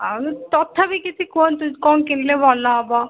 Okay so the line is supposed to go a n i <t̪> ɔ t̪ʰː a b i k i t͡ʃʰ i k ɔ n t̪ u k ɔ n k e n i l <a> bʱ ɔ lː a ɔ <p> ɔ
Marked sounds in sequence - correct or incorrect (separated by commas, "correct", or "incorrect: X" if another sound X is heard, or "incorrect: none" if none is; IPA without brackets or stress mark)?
correct, incorrect: e, incorrect: b